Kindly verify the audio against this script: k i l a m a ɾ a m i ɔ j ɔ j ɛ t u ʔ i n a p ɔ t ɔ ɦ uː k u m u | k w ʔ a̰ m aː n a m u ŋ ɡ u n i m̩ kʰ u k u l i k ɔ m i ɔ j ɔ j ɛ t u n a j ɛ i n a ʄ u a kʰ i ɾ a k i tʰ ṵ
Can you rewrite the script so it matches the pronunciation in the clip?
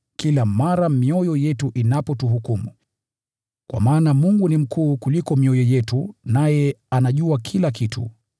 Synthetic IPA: k i l a m a ɾ a m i ɔ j ɔ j ɛ t u ʔ i n a p ɔ t u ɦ u k u m u | k w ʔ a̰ m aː n a m u ŋ ɡ u n i m̩ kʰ uː k u l i k ɔ m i ɔ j ɔ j ɛ t u n a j ɛ a n a ʄ u a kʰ i l a k i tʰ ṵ